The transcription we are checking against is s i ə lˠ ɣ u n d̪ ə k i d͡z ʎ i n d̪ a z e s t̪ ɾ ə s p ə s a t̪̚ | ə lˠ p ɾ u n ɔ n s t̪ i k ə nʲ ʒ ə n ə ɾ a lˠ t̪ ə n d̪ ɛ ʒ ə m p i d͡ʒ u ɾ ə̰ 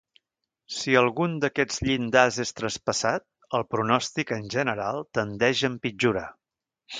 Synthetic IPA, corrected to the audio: s i ə lˠ ɣ u n d̪ ə k ɛ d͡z ʎ i n d̪ a z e s t̪ ɾ ə s p ə s a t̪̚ | ə lˠ p ɾ u n ɔ s t̪ i k ə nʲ ʒ ə n ə ɾ a lˠ t̪ ə n d̪ ɛ ʒ ə m p i d͡ʒ u ɾ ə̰